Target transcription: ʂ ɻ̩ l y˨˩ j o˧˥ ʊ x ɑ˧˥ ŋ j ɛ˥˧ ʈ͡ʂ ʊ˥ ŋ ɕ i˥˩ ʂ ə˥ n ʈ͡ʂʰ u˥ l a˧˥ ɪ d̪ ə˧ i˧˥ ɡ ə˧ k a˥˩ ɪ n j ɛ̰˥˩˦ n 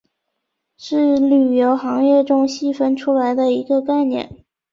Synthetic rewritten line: ʂ ɻ̩ l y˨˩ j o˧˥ ʊ x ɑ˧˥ ŋ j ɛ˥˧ ʈ͡ʂ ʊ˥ ŋ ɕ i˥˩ f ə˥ n ʈ͡ʂʰ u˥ l a˧˥ ɪ d̪ ə˧ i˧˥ ɡ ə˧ k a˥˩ ɪ n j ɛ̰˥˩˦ n